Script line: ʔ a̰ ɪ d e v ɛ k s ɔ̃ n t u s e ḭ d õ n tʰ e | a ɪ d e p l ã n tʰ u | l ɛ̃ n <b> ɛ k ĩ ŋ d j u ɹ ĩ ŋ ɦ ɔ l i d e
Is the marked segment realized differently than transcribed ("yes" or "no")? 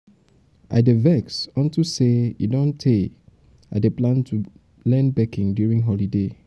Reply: no